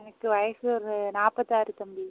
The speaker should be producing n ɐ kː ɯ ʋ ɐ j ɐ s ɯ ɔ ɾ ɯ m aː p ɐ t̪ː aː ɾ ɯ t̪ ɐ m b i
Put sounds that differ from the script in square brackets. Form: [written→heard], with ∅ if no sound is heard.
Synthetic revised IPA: n ɐ kː ɯ ʋ ɐ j ɐ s ɯ ɔ ɾ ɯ [m→n] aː p ɐ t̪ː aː ɾ ɯ t̪ ɐ m b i